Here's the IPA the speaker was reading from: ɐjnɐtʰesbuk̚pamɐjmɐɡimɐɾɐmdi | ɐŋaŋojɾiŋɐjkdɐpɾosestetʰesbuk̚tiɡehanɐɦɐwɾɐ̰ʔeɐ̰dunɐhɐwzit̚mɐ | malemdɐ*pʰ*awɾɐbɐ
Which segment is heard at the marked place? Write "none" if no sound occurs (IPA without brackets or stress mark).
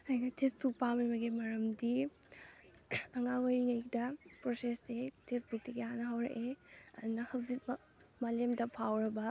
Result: pʰ